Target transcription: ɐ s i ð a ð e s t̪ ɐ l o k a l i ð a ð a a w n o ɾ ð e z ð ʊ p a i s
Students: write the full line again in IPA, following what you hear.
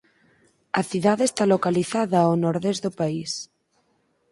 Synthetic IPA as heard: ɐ θ i ð a ð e s t̪ a l o k a l i θ a ð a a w n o ɾ ð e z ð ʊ p a i s

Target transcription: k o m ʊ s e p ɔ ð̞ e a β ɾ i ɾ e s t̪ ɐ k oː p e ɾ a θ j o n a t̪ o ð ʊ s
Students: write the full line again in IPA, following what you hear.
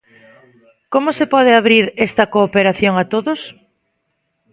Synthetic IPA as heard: k o m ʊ s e p ɔ ð̞ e a β ɾ i ɾ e s t̪ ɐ k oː p e ɾ a θ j o ŋ a t̪ o ð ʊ s

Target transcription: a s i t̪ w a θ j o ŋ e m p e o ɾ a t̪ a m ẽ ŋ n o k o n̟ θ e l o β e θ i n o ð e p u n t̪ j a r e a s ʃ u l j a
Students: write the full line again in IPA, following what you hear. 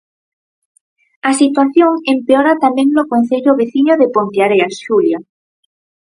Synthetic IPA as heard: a s i t̪ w a θ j o ŋ e m p e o ɾ a t̪ a m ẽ ŋ n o k o n̟ θ e ʎ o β e θ i ɲ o ð e p o n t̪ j a ɾ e a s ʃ u l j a

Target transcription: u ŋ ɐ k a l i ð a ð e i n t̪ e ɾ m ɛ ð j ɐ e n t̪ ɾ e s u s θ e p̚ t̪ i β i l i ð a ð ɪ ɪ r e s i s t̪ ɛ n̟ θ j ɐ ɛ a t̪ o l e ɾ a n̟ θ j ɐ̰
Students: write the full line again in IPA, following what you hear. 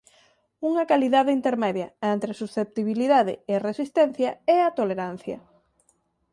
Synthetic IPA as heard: u ŋ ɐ k a l i ð a ð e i n t̪ e ɾ m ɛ ð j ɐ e n t̪ ɾ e s u s θ e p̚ t̪ i β i l i ð a ð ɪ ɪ r e s i s t̪ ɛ n̟ θ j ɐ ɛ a t̪ o l e ɾ a n̟ θ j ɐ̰

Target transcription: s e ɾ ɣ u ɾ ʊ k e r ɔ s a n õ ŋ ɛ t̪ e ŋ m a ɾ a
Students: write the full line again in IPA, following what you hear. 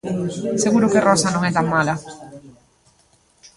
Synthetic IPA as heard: s e ɣ u ɾ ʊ k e r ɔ s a n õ ŋ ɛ t̪ a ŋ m a l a

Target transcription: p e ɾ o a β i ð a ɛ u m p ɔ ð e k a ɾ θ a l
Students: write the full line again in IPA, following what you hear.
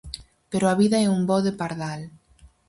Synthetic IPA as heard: p e ɾ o a β i ð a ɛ u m b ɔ ð e p a ɾ ð a l

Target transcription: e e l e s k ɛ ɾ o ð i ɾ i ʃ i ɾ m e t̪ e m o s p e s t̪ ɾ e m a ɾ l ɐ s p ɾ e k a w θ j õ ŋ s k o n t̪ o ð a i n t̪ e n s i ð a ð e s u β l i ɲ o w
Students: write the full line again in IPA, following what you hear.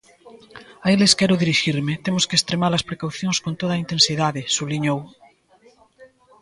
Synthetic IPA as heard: a e l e s k ɛ ɾ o ð i ɾ i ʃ i ɾ m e t̪ e m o s k e s t̪ ɾ e m a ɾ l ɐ s p ɾ e k a w θ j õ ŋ s k o n t̪ o ð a i n t̪ e n s i ð a ð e s u β l i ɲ o w

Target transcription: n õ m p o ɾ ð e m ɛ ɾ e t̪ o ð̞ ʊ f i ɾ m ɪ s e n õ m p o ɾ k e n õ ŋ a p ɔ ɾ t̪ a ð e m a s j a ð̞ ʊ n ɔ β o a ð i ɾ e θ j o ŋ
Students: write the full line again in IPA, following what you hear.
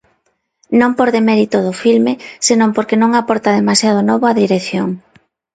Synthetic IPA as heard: n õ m p o ɾ ð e m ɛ ɾ i t̪ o ð̞ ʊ f i l m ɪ s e n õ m p o ɾ k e n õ ŋ a p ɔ ɾ t̪ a ð e m a s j a ð̞ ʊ n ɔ β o a ð i ɾ e θ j o ŋ

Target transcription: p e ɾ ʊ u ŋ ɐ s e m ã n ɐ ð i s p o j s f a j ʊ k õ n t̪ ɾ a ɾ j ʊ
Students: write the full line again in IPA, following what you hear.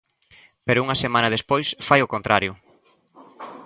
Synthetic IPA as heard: p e ɾ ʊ u ŋ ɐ s e m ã n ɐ ð e s p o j s f a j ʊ k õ n t̪ ɾ a ɾ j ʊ

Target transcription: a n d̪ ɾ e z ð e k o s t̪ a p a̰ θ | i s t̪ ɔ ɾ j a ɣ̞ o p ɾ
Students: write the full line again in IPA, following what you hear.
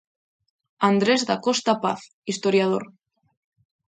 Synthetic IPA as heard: a n d̪ ɾ e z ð a k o s t̪ a p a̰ θ | i s t̪ o ɾ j a ð̞ o ɾ

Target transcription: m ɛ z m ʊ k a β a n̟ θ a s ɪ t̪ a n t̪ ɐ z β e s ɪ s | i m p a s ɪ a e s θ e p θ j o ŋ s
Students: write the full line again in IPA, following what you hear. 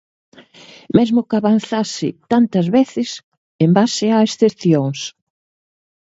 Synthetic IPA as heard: m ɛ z m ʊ k a β a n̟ θ a s ɪ t̪ a n t̪ ɐ z β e θ ɪ s | e m b a s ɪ a e s θ e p θ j o ŋ s

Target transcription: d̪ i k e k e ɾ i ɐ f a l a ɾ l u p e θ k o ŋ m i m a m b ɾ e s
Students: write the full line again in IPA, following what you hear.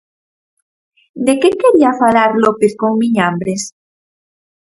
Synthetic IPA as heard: d̪ e k e k e ɾ i a f a l a ɾ l o p e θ k o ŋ m i ɲ a m b ɾ e s

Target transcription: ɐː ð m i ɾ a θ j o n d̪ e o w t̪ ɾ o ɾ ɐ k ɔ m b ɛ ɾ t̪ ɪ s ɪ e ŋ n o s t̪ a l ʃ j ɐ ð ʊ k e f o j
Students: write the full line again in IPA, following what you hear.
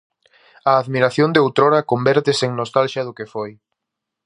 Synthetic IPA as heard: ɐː ð m i ɾ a θ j o n d̪ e o w t̪ ɾ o ɾ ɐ k o m b ɛ ɾ t̪ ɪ s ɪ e ŋ n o s t̪ a l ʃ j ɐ ð ʊ k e f o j

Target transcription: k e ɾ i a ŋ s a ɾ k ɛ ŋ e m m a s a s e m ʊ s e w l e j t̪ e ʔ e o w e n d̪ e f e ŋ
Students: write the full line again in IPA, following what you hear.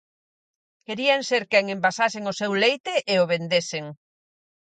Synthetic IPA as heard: k e ɾ i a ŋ s e ɾ k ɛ ŋ e m b a s a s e ŋ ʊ s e w l e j t̪ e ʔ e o β e n d̪ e s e ŋ

